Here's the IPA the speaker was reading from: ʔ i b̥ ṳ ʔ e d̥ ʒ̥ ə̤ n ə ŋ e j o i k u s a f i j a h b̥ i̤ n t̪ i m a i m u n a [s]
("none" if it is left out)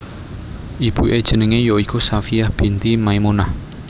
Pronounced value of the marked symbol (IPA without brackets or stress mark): h